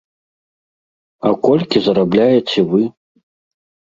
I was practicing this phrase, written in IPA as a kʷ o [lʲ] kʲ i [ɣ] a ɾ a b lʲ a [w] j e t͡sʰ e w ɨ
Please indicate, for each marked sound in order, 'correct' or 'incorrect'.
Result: correct, incorrect: z, incorrect: none

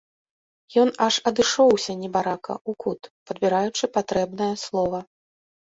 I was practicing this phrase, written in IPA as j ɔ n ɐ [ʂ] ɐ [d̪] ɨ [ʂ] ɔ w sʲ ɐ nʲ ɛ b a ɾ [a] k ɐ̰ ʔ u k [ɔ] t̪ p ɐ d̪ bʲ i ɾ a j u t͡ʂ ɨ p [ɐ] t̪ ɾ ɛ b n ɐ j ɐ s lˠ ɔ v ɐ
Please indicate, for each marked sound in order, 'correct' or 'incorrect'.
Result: correct, correct, correct, correct, incorrect: u, incorrect: a

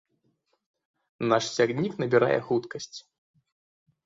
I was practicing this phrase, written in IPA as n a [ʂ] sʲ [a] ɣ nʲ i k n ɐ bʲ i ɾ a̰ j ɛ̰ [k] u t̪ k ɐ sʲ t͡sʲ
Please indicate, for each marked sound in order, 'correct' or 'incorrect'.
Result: correct, correct, incorrect: x

